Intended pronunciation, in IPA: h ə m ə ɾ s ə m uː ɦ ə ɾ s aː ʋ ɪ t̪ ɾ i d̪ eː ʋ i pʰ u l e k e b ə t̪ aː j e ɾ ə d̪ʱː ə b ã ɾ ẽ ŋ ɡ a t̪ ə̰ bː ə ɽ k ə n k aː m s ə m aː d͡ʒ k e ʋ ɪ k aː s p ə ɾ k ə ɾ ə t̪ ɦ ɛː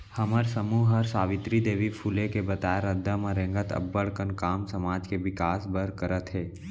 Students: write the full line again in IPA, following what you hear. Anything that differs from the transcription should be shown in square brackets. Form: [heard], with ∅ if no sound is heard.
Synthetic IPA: h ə m ə ɾ s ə m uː ɦ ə ɾ s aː ʋ ɪ t̪ ɾ i d̪ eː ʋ i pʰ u l e k e b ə t̪ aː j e ɾ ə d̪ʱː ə [m] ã ɾ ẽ ŋ ɡ [ə] t̪ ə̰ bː ə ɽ k ə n k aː m s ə m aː d͡ʒ k e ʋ ɪ k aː s [b] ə ɾ k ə ɾ ə t̪ ɦ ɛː